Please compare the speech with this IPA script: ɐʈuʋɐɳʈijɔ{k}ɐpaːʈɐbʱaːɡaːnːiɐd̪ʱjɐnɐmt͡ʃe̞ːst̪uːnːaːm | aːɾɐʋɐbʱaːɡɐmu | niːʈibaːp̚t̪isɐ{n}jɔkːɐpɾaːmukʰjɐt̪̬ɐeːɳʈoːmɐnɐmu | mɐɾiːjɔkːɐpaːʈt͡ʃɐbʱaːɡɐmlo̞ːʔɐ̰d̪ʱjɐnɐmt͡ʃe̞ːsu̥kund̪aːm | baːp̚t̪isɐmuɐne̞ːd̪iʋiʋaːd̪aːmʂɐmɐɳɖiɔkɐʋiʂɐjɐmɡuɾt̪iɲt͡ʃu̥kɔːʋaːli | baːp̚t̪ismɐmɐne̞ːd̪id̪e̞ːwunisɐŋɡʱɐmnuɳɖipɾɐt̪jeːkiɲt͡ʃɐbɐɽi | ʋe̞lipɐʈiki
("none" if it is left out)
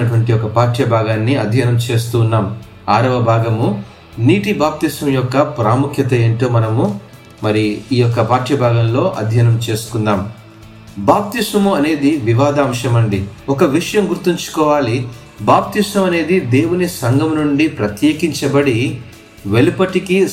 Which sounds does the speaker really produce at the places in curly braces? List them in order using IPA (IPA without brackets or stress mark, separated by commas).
k, m